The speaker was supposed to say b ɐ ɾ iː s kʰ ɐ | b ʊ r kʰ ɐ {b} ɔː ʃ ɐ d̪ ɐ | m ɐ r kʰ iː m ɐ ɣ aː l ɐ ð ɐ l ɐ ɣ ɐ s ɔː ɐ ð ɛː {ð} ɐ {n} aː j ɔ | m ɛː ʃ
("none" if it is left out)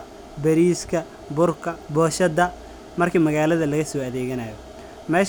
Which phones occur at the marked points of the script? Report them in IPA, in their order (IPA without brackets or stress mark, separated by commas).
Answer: b, ɣ, n